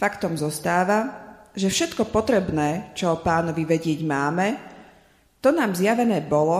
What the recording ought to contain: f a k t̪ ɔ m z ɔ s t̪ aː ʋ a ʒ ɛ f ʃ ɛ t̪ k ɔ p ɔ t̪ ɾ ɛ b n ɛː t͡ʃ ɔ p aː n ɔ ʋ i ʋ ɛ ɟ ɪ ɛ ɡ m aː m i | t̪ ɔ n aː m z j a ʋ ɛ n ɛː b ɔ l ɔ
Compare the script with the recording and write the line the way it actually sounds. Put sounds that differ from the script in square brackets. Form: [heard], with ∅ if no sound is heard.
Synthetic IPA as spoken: f a k t̪ ɔ m z ɔ s t̪ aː ʋ a ʒ ɛ f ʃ ɛ t̪ k ɔ p ɔ t̪ ɾ ɛ b n ɛː t͡ʃ ɔ p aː n ɔ ʋ i ʋ ɛ ɟ ɪ ɛ [ɟ] m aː m [ɛ] | t̪ ɔ n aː m z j a ʋ ɛ n ɛː b ɔ l ɔ